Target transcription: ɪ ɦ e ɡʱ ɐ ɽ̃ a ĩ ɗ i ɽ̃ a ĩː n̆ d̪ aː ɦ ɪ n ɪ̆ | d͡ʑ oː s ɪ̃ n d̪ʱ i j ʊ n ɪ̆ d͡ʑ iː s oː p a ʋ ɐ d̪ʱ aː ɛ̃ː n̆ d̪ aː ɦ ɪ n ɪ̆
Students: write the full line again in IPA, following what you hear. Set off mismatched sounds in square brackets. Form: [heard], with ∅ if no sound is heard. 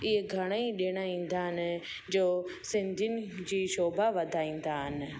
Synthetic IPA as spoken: ɪ ɦ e ɡʱ ɐ ɽ̃ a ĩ ɗ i ɽ̃ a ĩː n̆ d̪ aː ɦ ɪ n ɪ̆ | d͡ʑ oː s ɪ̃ n d̪ʱ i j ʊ n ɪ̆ d͡ʑ iː [ʃ] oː [b] a ʋ ɐ d̪ʱ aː [ĩː] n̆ d̪ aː ɦ ɪ n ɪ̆